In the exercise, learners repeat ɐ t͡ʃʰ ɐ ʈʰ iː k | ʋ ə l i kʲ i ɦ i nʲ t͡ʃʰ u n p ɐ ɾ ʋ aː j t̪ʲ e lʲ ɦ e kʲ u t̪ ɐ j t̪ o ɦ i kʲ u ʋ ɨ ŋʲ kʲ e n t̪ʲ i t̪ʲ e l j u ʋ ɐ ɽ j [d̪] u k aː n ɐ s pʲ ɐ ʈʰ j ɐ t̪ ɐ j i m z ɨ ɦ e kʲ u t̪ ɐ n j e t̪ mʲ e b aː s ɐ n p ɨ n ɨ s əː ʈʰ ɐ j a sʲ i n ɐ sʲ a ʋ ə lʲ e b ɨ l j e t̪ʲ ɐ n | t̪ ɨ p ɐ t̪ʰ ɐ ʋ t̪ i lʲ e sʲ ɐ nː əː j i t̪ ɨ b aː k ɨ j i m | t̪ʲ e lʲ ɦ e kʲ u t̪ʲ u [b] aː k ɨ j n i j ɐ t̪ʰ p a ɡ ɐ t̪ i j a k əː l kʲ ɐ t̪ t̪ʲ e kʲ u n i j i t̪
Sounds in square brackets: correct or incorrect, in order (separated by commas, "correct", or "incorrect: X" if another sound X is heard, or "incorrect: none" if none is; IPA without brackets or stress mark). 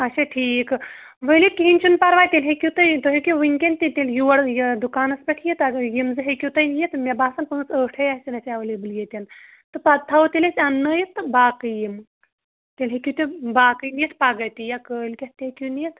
correct, correct